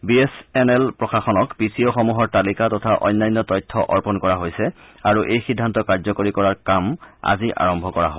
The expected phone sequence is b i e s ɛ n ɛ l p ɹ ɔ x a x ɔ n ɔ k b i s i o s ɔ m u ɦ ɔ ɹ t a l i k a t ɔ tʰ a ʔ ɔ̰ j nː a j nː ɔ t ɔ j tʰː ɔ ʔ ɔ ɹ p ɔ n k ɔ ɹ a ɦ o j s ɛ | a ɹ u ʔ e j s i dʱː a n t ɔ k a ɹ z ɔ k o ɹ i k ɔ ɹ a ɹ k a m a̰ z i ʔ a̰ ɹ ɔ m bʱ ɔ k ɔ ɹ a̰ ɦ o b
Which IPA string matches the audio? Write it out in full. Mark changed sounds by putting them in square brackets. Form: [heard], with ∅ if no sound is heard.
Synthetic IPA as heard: b i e s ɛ n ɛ l p ɹ ɔ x a x ɔ n ɔ k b i s i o [x] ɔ m u ɦ ɔ ɹ t a l i k a t ɔ tʰ a ʔ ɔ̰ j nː a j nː ɔ t ɔ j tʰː ɔ ʔ ɔ ɹ p ɔ n k ɔ ɹ a ɦ o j s ɛ | a ɹ u ʔ e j [x] i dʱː a n t ɔ k a ɹ z ɔ k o ɹ i k ɔ ɹ a ɹ k a m a̰ z i ʔ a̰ ɹ ɔ m bʱ ɔ k ɔ ɹ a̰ ɦ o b